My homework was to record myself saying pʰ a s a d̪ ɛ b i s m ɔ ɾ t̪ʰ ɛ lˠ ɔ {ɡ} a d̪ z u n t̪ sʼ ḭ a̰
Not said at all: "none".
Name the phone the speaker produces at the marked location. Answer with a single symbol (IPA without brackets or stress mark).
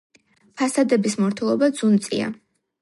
b